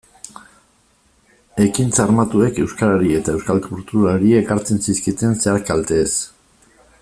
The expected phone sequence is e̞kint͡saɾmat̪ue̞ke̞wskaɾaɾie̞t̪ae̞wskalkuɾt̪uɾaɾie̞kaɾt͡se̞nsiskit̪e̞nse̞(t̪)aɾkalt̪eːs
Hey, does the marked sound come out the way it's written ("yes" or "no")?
no